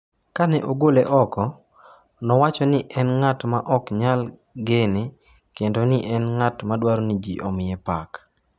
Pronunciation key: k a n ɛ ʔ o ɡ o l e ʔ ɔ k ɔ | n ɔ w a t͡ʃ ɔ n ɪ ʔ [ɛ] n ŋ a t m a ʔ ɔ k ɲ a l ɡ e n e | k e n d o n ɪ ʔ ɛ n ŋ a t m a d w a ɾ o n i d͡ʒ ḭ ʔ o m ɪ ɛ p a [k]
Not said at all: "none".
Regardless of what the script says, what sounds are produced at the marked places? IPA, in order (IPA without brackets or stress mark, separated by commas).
ɛ, k